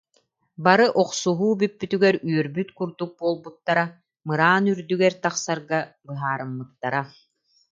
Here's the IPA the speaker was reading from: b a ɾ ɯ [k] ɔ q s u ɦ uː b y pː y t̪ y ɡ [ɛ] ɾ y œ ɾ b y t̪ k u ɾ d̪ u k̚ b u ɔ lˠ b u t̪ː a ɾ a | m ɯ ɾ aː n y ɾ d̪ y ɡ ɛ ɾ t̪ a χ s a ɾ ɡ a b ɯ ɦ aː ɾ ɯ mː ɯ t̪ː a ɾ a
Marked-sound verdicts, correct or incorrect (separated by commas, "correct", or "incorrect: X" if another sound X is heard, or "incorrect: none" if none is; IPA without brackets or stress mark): incorrect: ʔ, correct